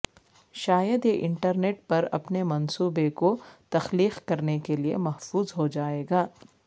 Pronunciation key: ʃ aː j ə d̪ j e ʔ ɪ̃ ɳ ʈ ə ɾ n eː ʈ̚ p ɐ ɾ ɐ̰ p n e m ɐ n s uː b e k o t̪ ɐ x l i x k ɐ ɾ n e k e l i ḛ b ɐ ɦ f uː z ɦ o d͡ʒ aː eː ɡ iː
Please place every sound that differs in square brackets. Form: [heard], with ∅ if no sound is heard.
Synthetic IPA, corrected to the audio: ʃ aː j ə d̪ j e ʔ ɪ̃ ɳ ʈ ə ɾ n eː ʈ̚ p ɐ ɾ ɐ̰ p n e m ɐ n s uː b e k o t̪ ɐ x l [iː] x k ɐ ɾ n e k e l i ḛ [m] ɐ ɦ f uː z ɦ o d͡ʒ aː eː ɡ [aː]